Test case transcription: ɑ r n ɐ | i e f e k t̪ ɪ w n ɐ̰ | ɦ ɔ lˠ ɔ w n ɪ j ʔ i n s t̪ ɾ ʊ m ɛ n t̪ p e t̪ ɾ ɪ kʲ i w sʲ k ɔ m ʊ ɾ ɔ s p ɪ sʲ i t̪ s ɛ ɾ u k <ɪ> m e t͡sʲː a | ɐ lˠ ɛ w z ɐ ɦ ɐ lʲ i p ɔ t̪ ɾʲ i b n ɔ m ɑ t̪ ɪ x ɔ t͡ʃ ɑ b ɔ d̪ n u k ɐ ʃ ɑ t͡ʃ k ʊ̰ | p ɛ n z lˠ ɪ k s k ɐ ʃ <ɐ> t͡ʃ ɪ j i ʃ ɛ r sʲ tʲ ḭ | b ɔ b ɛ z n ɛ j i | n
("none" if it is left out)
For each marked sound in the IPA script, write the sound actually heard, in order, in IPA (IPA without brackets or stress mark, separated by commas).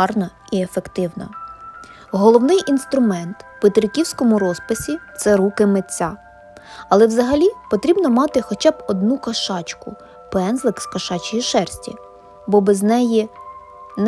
ɪ, ɑ